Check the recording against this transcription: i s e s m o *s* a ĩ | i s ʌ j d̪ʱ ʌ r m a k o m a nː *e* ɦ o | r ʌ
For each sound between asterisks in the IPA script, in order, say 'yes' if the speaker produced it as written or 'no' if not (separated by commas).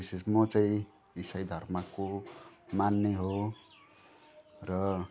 no, yes